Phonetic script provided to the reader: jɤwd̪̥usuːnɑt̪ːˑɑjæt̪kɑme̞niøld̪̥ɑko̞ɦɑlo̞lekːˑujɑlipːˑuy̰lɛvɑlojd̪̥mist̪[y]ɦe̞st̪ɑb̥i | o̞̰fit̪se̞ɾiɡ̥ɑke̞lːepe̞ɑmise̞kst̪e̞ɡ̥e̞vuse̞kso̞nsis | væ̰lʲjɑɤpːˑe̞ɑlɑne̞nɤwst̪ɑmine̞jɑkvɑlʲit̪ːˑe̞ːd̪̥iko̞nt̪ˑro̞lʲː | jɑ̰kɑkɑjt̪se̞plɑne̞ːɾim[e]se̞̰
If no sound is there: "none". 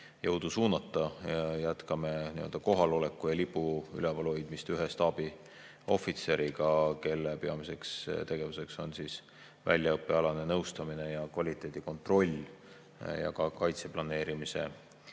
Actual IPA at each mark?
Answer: y, i

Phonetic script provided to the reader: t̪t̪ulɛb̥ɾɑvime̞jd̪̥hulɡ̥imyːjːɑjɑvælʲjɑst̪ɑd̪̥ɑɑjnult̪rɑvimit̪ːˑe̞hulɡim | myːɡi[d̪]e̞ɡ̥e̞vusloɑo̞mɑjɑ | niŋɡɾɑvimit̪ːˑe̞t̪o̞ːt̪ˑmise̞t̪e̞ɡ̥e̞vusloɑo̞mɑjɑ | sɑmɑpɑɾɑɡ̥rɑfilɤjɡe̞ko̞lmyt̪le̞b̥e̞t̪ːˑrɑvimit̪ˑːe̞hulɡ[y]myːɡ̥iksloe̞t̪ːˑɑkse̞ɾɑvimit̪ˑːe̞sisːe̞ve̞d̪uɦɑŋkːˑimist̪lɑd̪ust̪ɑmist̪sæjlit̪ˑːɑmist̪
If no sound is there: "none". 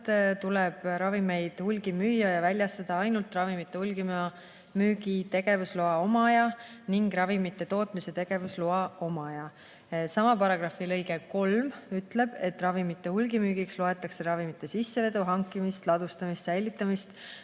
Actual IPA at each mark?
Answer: t̪, i

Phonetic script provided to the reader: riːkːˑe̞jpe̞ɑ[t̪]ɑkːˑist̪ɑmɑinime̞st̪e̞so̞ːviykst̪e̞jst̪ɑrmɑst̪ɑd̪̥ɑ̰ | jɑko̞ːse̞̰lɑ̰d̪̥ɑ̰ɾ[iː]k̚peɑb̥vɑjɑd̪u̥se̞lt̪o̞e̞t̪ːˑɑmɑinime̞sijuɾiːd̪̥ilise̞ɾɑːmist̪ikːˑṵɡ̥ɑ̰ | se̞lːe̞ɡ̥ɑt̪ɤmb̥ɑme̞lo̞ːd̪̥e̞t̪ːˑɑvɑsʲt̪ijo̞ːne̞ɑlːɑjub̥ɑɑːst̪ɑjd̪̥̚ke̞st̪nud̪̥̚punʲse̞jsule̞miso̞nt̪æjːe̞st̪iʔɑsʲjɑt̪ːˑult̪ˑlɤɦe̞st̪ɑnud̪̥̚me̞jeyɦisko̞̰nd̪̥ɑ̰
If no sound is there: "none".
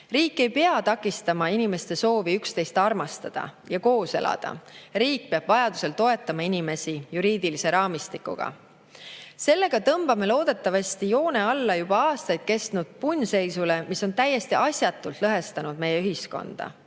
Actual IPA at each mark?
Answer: t̪, iː

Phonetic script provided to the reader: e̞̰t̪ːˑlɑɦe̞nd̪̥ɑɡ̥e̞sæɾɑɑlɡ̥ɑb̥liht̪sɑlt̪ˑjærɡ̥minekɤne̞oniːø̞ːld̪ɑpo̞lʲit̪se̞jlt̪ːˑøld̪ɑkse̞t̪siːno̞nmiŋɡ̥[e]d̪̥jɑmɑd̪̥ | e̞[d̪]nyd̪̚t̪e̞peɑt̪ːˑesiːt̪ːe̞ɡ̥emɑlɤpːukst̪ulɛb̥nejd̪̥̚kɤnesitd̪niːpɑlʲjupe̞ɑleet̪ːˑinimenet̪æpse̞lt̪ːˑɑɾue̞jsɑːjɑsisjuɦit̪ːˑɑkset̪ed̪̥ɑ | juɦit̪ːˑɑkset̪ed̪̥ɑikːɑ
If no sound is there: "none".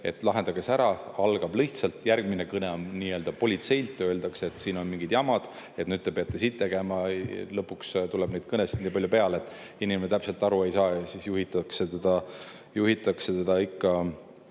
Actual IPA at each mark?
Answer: i, t̪

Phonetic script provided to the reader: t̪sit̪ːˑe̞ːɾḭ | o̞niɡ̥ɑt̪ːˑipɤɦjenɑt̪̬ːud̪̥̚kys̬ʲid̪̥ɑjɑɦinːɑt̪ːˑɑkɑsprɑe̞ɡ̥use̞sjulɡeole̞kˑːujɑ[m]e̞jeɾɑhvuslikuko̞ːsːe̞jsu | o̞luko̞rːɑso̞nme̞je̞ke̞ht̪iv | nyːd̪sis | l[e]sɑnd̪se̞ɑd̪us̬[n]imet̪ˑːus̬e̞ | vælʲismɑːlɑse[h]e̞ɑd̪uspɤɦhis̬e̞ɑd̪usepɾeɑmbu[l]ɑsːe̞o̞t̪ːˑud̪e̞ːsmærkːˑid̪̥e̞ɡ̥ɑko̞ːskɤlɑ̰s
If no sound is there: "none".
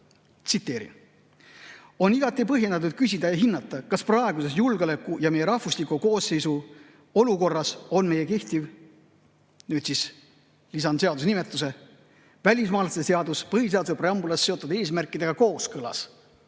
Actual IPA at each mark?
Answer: m, i, n, s, l

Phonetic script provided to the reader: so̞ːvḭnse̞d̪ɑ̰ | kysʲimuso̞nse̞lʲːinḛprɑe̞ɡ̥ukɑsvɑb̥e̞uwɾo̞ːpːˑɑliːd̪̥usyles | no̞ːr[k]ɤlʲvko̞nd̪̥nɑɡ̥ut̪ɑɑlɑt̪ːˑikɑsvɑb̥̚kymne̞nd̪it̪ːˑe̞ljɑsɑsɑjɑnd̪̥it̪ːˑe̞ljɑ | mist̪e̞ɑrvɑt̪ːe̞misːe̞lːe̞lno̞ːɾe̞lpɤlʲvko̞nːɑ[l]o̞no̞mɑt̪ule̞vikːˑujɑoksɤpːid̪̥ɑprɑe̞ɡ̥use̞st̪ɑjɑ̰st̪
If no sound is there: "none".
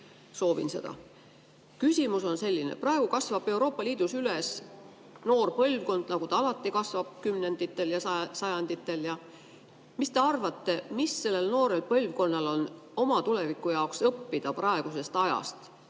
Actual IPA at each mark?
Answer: p, l

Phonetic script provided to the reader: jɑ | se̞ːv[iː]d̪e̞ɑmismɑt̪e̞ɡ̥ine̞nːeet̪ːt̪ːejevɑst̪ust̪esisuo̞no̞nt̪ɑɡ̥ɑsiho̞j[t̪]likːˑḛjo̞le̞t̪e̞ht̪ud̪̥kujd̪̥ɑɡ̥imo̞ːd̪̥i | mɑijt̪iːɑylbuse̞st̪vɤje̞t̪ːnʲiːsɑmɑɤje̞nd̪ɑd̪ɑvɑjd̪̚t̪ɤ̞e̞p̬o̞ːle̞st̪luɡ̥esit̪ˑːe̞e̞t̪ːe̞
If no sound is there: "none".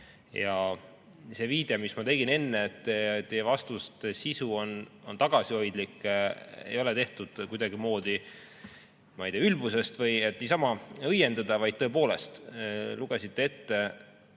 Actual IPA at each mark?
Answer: iː, d̪

